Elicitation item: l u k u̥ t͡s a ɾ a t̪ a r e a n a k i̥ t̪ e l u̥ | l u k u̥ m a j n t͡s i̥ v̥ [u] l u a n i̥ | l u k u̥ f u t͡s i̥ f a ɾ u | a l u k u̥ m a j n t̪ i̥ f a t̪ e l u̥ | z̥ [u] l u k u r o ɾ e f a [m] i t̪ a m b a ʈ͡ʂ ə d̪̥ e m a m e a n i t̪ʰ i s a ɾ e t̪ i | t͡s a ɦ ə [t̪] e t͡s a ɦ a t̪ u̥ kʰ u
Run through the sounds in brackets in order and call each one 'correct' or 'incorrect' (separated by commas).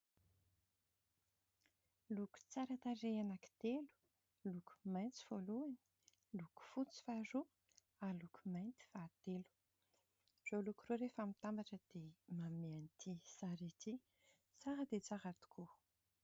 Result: incorrect, incorrect, correct, incorrect